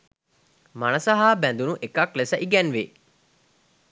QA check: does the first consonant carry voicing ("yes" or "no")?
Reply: yes